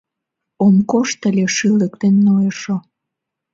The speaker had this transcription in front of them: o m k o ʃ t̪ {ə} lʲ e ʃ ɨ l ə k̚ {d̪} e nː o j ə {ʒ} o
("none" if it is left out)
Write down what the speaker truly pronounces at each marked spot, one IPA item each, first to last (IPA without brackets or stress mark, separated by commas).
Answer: ə, t̪, ʃ